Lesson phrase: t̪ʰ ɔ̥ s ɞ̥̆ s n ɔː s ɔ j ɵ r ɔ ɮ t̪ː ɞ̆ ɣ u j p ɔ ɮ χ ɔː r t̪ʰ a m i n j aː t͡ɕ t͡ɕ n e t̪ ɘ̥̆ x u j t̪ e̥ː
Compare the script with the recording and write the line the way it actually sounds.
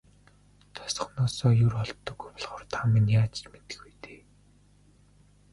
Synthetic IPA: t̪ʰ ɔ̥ s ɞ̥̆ χ n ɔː s ɔː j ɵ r ɔ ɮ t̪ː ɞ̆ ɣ u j p ɔ ɮ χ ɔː r t̪ʰ a m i n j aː t͡ɕ t͡ɕ m e t̪ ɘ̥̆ x u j t̪ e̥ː

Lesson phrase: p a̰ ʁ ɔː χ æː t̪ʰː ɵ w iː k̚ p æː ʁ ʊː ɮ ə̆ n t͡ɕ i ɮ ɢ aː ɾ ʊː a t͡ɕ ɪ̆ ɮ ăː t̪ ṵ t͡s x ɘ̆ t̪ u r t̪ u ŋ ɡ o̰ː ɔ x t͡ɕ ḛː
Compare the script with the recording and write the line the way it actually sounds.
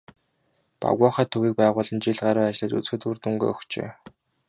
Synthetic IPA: p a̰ ɣ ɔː χ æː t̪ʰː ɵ ɣ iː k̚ p æː ʁ ʊː ɮ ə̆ n t͡ɕ i ɮ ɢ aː ɾ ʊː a t͡ɕ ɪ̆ ɮ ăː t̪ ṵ t͡s x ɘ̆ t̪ u r t̪ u ŋ ɡ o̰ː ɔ x t͡ɕ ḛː

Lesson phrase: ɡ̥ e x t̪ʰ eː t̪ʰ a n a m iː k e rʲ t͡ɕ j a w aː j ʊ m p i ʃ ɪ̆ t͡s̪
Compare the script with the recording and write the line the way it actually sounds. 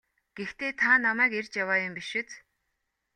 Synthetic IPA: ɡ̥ e x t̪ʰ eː t̪ʰ a n a m æː k e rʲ t͡ɕ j a w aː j ʊ m p i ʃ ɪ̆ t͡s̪

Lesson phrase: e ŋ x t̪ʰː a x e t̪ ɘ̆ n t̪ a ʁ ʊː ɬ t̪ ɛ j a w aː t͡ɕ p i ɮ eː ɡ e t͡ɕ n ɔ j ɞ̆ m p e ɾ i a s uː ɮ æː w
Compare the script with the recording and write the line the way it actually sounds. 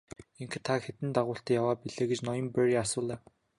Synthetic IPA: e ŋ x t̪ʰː a x e t̪ ɘ̆ n t̪ a ʁ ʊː ɬ t̪ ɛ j a w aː p i ɮ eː ɡ e t͡ɕ n ɔ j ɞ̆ m p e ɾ i a s ʊː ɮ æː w

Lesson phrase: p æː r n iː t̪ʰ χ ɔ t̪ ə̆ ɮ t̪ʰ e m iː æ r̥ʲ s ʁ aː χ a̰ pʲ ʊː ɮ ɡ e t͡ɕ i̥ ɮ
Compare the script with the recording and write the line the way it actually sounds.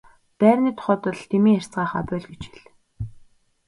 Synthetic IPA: p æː r n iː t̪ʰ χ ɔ t̪ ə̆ ɮ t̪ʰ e m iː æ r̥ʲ t͡s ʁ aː χ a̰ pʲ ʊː ɮ ɡ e t͡ɕ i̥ ɮ

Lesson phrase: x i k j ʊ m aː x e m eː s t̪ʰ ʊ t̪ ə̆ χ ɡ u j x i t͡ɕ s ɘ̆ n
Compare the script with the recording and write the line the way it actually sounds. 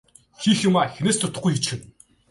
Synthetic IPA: x i x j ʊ m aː x e n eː s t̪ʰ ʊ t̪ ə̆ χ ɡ u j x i t͡ɕ x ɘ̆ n

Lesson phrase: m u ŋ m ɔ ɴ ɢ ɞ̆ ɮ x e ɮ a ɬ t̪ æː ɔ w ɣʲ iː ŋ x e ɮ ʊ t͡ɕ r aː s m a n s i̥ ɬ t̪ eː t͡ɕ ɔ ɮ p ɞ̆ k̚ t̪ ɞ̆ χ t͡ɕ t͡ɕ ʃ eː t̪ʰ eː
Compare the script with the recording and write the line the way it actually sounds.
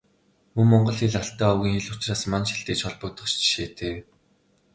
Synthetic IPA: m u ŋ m ɔ ɴ ɢ ɞ̆ ɮ x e ɮ a ɬ t̪ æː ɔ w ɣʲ iː ŋ x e ɮ ʊ t͡ɕ r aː s m a n ʃ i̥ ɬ t̪ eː t͡ɕ ɔ ɮ p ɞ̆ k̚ t̪ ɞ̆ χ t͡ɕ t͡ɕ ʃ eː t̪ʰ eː

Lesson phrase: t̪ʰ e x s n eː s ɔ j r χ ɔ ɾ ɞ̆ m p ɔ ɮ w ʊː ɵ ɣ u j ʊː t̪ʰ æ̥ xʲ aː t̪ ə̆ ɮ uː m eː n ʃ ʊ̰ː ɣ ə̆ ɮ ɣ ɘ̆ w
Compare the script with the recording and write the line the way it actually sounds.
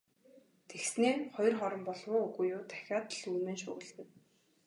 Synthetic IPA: t̪ʰ e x s n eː χ ɔ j r χ ɔ ɾ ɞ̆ m p ɔ ɮ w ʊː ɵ ɣ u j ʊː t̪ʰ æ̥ xʲ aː t̪ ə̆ ɮ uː m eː n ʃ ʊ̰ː ɣ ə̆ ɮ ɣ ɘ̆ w

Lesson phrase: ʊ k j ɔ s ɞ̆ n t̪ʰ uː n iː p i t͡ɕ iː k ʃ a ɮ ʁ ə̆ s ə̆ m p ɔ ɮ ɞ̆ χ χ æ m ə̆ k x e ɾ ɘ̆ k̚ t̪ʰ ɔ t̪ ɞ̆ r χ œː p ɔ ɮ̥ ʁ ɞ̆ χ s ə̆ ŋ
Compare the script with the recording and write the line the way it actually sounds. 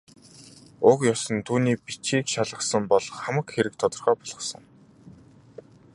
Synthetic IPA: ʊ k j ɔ s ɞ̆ n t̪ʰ uː n iː p i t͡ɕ iː k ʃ a ɮ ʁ ə̆ s ə̆ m p ɔ ɮ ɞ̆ χ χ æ m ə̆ k x e ɾ ɘ̆ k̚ t̪ʰ ɔ t̪ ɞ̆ r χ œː p ɔ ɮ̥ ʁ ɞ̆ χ s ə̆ ŋ

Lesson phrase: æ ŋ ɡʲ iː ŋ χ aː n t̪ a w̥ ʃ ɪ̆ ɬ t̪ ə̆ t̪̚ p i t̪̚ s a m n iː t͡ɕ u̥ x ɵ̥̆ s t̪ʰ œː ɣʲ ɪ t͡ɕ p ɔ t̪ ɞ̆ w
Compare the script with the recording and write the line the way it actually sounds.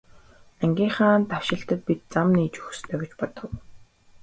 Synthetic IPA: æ ŋ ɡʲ iː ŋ χ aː n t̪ a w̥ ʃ ɪ̆ ɬ t̪ ə̆ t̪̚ p i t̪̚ t͡s a m n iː t͡ɕ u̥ x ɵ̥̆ s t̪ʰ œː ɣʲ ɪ t͡ɕ p ɔ t̪ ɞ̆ w

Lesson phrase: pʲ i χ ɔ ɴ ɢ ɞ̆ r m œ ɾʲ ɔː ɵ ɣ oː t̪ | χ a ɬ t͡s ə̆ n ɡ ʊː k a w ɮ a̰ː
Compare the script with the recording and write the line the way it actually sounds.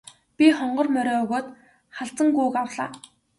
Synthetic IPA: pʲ i χ ɔ ɴ ɢ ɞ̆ r m œ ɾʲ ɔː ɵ ɣ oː t̪ | χ a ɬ t͡s ə̆ ŋ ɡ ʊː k a w ɮ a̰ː

